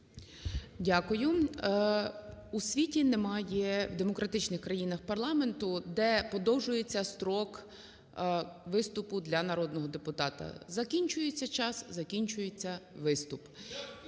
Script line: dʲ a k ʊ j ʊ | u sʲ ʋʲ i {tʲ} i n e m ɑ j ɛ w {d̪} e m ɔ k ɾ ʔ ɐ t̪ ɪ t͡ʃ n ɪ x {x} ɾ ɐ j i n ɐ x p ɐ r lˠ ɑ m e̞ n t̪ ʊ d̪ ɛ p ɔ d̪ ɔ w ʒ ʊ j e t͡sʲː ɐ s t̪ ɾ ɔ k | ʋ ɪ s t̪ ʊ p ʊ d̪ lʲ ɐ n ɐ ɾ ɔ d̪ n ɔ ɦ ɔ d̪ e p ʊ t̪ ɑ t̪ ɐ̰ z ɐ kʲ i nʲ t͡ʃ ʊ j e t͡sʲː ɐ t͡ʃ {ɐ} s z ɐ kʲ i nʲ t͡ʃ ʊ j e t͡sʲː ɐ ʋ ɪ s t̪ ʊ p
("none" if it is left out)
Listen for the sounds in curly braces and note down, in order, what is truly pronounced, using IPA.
tʲ, d̪, k, ɑ

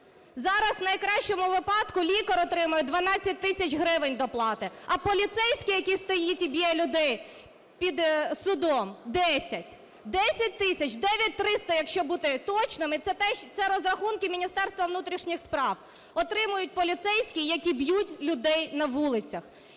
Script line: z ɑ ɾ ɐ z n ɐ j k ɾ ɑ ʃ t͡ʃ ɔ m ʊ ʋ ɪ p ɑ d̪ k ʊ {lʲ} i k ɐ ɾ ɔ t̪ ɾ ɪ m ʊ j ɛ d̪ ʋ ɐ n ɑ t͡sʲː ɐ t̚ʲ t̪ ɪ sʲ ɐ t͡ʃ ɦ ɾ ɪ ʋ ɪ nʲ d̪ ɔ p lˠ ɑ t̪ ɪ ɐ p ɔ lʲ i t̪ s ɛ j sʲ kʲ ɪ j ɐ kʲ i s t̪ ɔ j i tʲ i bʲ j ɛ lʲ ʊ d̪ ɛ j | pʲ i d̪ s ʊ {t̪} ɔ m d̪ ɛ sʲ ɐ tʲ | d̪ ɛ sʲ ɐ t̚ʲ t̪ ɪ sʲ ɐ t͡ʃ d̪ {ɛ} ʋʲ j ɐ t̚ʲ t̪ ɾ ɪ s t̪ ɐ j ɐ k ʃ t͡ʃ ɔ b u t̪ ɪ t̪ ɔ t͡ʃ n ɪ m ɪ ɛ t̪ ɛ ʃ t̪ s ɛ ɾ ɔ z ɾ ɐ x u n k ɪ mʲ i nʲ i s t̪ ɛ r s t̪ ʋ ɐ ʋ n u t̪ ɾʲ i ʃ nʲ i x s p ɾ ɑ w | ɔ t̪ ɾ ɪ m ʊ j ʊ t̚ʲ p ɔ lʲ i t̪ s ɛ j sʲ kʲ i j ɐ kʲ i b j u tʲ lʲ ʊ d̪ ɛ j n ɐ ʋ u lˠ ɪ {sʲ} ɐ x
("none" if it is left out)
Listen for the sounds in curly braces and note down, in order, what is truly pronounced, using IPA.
lʲ, d̪, ɛ, t͡sʲ

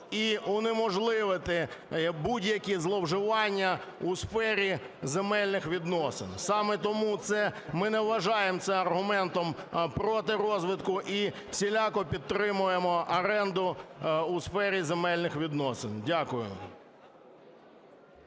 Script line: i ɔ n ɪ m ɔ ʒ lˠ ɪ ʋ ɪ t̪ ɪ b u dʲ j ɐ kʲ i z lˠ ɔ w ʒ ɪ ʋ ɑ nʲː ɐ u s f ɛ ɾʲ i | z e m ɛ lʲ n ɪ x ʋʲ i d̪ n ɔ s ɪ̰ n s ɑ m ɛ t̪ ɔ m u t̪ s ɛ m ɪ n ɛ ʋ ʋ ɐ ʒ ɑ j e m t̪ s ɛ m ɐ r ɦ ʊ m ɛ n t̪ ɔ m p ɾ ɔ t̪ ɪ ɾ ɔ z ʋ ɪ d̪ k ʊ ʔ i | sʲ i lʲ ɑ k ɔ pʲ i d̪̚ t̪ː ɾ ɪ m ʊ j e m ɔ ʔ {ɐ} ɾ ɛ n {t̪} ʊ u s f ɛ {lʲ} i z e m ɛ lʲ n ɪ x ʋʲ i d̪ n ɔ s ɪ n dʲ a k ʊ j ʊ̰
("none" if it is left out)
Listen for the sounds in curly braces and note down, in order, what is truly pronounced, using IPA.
ɐ, d̪, ɾʲ

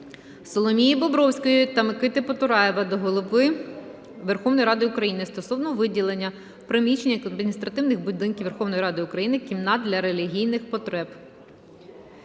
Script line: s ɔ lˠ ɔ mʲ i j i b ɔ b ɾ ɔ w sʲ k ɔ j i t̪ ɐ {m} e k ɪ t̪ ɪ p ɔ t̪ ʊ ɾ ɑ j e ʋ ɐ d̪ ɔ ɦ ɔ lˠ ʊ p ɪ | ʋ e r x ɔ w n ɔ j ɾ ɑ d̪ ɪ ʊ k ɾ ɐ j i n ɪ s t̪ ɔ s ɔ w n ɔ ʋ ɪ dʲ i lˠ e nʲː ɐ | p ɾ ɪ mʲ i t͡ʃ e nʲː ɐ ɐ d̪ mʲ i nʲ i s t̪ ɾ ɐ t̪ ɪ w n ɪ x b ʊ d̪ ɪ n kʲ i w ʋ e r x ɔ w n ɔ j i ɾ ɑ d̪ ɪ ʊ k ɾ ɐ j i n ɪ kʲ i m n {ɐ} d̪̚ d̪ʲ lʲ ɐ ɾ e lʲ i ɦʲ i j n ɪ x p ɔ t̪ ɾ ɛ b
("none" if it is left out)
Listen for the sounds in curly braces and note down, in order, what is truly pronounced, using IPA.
m, ɑ

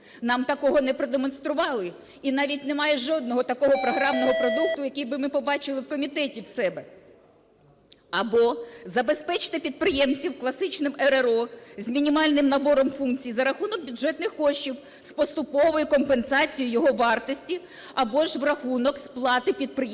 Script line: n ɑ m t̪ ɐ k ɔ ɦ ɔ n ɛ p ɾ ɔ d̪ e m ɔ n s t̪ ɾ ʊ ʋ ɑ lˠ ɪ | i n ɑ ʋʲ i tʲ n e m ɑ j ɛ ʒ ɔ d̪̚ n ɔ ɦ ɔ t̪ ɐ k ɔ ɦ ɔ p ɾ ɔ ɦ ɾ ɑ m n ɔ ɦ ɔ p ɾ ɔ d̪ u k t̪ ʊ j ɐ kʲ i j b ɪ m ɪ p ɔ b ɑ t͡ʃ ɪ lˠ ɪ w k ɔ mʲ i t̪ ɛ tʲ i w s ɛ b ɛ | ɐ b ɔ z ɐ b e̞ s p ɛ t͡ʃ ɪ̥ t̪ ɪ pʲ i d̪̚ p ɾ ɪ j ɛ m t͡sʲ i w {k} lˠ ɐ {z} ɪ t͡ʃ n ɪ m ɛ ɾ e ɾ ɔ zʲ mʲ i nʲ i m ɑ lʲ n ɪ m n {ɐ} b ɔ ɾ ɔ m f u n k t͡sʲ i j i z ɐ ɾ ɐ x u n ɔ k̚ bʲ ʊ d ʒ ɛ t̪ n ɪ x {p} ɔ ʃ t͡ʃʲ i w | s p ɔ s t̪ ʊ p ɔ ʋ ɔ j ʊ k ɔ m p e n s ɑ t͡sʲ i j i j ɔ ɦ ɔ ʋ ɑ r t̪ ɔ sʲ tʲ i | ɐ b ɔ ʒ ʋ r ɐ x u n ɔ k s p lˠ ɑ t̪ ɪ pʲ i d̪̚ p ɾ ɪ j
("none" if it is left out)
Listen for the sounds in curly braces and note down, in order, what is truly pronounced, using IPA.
k, s, ɐ, k

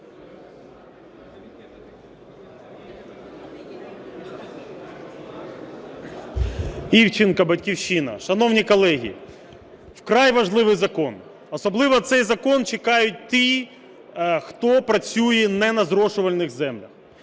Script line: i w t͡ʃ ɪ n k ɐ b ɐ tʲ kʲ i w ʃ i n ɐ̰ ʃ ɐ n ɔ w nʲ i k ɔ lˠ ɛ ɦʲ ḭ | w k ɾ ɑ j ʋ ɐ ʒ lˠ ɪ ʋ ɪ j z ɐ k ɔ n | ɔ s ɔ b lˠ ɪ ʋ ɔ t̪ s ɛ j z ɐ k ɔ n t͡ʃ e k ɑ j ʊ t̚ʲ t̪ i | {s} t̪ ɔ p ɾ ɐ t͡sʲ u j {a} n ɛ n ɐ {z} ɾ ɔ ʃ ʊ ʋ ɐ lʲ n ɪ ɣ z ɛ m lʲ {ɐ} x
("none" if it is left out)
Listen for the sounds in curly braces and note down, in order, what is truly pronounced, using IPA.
x, ɛ, z, ɐ

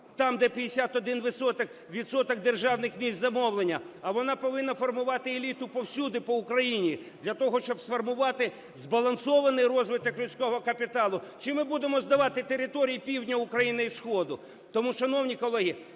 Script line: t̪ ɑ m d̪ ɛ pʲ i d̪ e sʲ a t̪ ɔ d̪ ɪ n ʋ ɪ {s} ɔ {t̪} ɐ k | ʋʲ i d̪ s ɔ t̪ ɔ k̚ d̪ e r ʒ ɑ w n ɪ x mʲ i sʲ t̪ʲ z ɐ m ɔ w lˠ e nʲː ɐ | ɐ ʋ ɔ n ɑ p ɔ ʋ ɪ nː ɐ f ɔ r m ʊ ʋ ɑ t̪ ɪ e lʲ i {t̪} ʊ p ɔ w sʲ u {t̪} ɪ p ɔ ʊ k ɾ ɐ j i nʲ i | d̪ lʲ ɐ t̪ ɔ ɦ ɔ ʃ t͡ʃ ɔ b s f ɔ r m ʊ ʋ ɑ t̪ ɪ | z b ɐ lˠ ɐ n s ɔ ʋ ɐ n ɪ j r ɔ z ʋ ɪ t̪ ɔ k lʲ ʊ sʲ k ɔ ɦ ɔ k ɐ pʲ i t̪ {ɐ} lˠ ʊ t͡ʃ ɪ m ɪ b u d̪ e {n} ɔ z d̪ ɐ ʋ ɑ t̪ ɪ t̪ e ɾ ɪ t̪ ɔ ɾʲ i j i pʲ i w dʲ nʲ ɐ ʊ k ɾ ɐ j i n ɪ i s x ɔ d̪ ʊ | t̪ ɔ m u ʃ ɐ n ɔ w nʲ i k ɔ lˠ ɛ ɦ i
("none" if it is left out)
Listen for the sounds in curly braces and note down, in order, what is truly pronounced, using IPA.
s, t̪, t̪, d̪, ɑ, m

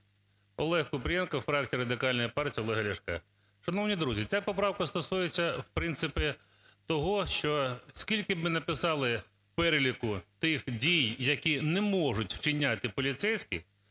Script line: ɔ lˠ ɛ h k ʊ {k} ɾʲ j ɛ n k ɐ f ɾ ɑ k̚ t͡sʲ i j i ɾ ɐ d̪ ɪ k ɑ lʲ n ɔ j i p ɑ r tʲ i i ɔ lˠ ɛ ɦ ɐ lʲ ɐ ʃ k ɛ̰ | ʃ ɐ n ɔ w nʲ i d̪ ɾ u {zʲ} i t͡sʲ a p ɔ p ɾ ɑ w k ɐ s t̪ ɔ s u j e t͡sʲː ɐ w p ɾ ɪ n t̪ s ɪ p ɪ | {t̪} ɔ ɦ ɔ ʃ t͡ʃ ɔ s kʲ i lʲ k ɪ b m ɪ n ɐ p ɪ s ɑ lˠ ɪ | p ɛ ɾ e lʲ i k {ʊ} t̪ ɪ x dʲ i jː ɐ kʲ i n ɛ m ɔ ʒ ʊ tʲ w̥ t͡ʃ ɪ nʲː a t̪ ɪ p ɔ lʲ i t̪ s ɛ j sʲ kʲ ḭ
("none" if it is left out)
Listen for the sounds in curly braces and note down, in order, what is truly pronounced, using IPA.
p, zʲ, t̪, ʊ

